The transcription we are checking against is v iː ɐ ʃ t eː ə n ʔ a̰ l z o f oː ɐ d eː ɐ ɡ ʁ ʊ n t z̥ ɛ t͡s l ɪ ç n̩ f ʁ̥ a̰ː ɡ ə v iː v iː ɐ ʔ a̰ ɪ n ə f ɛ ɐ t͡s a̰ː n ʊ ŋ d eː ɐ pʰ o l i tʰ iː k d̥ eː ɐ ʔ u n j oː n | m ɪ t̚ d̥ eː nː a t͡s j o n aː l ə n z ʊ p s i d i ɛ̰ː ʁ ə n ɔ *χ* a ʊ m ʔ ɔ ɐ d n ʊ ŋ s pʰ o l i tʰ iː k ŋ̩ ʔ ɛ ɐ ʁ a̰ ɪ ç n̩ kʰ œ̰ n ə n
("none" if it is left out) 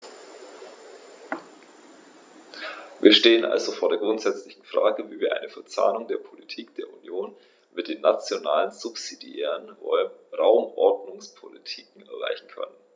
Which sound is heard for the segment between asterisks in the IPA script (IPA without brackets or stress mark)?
ʁ